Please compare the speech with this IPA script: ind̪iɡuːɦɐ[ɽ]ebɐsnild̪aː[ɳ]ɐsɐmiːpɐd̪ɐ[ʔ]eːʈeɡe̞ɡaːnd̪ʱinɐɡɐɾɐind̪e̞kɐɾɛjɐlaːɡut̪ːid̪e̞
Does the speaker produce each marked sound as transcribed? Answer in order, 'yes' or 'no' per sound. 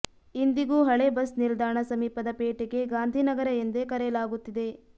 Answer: no, yes, no

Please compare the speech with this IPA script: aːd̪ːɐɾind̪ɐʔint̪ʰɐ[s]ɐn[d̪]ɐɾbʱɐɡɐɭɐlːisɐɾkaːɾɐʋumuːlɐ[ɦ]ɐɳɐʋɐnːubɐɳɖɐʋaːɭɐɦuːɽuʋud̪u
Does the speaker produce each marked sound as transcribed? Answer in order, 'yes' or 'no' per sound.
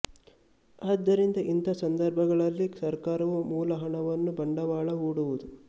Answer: yes, yes, yes

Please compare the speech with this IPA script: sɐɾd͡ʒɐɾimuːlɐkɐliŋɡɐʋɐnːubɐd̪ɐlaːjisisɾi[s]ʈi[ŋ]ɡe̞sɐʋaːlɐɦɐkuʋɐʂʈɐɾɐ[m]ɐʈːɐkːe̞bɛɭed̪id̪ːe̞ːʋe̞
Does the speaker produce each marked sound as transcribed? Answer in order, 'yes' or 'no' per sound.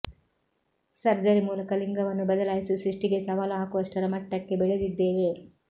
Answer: no, no, yes

